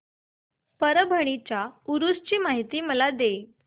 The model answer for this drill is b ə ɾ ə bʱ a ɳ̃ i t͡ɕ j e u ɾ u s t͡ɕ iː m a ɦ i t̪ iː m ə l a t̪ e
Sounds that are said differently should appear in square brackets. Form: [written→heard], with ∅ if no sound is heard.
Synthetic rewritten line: [b→p] ə ɾ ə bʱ [a→ə] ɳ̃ i t͡ɕ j [e→a] u ɾ u s t͡ɕ iː m a ɦ i t̪ iː m ə l a [t̪→d̪] e